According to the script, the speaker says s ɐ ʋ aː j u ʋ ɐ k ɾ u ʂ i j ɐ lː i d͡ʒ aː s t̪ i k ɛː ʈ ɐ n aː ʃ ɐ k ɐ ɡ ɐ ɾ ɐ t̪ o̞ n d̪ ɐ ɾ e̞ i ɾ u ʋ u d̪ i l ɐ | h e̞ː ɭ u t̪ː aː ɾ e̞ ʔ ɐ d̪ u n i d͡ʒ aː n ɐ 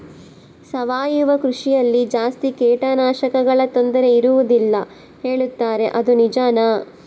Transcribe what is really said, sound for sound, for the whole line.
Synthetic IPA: s ɐ ʋ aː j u ʋ ɐ k ɾ u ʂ i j ɐ lː i d͡ʒ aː s t̪ i k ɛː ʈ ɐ n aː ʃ ɐ k ɐ ɡ ɐ ɭ ɐ t̪ o̞ n d̪ ɐ ɾ e̞ i ɾ u ʋ u d̪ i lː ɐ | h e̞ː ɭ u t̪ː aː ɾ e̞ ʔ ɐ d̪ u n i d͡ʒ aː n ɐ